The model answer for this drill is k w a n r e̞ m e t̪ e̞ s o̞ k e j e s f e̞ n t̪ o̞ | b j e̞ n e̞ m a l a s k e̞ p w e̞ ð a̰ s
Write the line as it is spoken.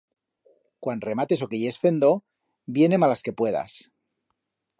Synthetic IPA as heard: k w a n r e̞ m a t̪ e̞ s o̞ k e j e s f e̞ n d̪ o̞ | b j e̞ n e̞ m a l a s k e̞ p w e̞ ð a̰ s